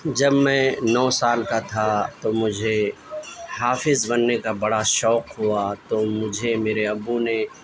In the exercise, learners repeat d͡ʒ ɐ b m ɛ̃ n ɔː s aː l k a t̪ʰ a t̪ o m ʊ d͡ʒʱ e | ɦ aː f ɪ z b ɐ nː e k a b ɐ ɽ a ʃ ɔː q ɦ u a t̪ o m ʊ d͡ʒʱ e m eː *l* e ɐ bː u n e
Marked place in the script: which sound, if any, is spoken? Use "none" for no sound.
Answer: ɾ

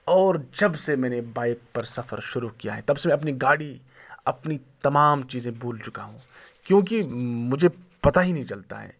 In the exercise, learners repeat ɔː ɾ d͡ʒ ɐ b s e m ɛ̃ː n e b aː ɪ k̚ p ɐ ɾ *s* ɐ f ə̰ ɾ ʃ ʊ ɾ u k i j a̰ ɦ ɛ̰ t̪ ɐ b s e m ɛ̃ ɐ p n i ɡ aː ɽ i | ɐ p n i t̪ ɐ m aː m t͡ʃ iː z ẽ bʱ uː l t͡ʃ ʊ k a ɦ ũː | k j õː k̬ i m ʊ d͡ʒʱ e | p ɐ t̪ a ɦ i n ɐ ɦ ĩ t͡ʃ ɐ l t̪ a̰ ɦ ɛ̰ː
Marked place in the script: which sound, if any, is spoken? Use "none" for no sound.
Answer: s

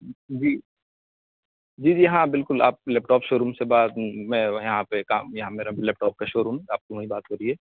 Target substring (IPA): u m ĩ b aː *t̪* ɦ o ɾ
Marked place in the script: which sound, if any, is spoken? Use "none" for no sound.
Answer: t̪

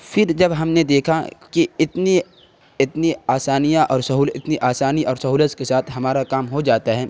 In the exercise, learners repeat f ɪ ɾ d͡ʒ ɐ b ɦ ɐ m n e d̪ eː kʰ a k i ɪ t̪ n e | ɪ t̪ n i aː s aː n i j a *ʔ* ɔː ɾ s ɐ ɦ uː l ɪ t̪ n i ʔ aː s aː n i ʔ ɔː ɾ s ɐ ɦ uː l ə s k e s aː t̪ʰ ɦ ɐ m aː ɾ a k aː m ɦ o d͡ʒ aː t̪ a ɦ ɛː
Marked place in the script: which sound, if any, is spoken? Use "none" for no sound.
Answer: ʔ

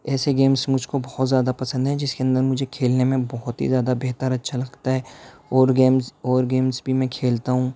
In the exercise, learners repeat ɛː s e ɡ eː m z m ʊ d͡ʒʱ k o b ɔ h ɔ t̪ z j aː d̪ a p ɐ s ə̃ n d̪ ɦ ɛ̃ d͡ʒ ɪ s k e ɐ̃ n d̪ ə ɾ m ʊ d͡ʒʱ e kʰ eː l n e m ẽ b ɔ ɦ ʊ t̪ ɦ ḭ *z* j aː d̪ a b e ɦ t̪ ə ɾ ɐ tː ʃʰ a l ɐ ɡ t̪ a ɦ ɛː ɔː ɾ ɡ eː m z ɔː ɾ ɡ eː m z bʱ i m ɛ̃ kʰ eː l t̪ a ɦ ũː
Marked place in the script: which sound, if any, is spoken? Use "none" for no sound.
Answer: z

